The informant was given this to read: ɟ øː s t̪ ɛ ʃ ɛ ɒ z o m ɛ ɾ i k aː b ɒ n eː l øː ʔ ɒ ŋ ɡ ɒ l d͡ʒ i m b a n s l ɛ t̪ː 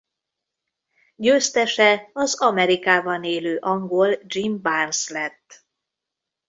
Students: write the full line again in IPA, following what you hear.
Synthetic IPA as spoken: ɟ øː s t̪ ɛ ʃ ɛ ɒ z ɒ m ɛ ɾ i k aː b ɒ n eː l øː ʔ ɒ ŋ ɡ o l d͡ʒ i m b a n s l ɛ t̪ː